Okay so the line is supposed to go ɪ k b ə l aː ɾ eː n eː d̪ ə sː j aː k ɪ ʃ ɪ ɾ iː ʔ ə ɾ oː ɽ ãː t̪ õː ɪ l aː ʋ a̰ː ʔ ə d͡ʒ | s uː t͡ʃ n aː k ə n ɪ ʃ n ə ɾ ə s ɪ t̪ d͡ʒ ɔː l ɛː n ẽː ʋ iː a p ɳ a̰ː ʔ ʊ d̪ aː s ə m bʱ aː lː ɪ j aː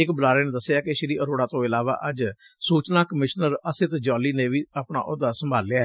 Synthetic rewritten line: ɪ k b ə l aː ɾ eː n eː d̪ ə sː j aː k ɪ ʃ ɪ ɾ iː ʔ ə ɾ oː ɽ aː t̪ õː ɪ l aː ʋ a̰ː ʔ ə d͡ʒ | s uː t͡ʃ n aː k ə m ɪ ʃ n ə ɾ ə s ɪ t̪ d͡ʒ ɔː l iː n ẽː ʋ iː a p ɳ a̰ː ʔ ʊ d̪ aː s ə m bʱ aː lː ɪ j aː